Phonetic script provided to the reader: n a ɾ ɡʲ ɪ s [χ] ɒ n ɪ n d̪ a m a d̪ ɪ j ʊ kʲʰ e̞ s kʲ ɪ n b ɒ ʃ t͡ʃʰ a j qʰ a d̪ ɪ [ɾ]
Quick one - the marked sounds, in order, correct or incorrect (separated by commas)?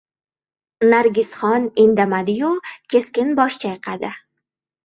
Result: correct, incorrect